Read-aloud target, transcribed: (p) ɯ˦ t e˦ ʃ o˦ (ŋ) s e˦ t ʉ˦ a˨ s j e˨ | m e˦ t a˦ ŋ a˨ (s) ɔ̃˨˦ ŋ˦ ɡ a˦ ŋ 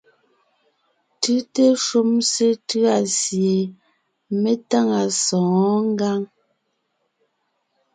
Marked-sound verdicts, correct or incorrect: incorrect, incorrect, correct

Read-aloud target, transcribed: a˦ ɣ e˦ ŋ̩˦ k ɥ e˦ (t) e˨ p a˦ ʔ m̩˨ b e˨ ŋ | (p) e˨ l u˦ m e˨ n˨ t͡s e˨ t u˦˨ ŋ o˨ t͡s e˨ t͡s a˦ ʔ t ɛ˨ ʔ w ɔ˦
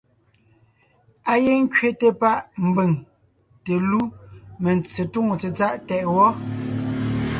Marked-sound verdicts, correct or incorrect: correct, incorrect

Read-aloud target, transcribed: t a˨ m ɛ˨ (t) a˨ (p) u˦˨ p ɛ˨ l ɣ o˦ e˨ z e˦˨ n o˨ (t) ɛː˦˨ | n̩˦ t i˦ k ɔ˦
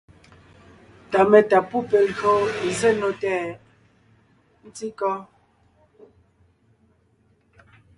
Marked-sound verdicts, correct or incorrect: correct, correct, correct

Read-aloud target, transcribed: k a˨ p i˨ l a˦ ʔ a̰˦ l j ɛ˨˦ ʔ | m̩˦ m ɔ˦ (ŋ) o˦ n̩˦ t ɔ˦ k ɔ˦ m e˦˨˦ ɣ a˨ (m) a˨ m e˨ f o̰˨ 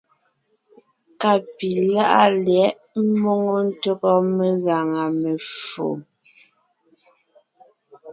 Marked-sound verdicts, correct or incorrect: correct, incorrect

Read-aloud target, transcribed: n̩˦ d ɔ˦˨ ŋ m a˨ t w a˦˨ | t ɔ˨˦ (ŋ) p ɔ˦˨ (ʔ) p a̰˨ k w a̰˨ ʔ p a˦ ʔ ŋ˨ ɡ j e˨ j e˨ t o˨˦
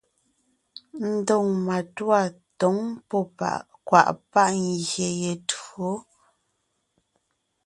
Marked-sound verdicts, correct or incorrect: correct, incorrect

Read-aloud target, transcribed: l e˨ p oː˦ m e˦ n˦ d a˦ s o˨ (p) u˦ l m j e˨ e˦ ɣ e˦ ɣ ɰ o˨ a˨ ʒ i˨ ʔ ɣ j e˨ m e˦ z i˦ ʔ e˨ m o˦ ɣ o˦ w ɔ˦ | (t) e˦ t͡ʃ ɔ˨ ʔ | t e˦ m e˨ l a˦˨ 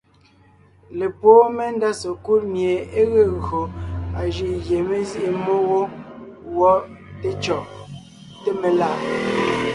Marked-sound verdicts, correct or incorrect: incorrect, correct

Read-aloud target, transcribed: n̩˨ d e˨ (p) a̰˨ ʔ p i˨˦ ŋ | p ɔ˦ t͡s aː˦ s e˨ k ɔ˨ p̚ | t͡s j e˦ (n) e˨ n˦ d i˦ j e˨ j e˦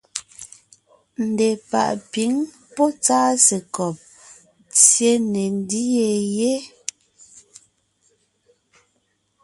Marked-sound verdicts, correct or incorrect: correct, correct

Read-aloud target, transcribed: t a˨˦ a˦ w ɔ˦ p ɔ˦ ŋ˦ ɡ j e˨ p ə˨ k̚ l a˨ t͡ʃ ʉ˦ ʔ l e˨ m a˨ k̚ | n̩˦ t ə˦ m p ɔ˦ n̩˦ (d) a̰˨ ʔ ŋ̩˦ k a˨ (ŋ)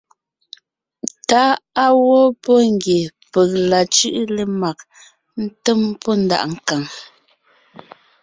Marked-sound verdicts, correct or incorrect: correct, correct

